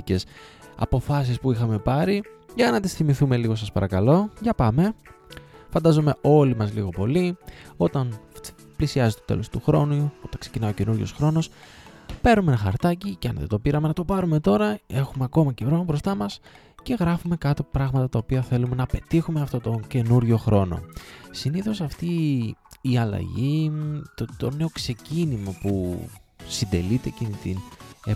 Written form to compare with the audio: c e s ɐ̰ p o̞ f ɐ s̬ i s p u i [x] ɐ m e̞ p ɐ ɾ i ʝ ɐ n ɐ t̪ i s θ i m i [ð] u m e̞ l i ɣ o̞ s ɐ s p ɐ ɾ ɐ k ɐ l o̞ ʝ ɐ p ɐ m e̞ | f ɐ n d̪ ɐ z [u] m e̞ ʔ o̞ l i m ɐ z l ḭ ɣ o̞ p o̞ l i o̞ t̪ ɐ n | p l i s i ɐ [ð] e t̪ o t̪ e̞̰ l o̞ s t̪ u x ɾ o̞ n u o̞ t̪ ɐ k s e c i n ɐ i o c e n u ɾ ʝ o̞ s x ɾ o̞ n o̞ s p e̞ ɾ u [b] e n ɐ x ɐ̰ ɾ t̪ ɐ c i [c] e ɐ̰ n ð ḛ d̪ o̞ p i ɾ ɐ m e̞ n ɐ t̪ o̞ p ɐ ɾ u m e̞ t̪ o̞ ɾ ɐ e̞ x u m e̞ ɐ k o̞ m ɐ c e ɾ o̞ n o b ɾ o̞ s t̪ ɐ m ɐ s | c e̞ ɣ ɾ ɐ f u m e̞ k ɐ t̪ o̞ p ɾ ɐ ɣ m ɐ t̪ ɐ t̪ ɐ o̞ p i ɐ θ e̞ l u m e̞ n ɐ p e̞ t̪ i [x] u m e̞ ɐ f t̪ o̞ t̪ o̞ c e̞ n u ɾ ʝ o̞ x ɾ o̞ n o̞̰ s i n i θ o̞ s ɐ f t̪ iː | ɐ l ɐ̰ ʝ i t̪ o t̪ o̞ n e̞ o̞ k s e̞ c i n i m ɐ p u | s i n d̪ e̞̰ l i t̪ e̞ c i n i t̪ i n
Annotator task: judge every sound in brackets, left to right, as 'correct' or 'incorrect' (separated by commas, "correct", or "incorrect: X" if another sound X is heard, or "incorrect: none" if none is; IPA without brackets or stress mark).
correct, incorrect: θ, incorrect: o, incorrect: z, incorrect: m, correct, correct